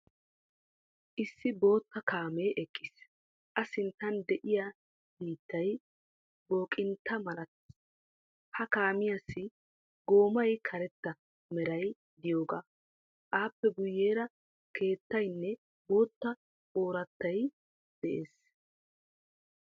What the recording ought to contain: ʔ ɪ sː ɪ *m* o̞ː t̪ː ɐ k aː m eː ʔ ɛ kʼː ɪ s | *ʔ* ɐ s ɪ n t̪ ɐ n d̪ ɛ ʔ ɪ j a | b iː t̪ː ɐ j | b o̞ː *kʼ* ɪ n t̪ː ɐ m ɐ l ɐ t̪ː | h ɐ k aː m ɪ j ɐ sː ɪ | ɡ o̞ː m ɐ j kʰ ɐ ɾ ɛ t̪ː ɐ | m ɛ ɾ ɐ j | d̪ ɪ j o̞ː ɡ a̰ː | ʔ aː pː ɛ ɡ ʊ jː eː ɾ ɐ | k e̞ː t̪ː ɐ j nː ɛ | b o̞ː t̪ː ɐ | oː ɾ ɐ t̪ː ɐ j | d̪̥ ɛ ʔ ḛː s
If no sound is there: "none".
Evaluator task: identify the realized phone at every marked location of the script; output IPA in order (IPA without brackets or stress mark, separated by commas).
b, ʔ, kʼ